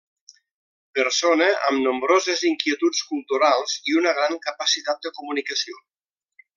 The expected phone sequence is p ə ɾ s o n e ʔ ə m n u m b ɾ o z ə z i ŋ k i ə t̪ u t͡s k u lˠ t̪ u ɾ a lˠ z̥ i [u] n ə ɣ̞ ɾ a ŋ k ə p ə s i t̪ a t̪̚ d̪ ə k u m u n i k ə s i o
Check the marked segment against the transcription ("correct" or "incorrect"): correct